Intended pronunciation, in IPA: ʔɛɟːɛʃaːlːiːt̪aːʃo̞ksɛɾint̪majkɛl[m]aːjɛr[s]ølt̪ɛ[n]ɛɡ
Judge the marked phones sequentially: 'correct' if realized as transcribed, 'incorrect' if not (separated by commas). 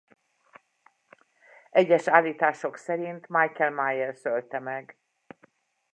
correct, correct, incorrect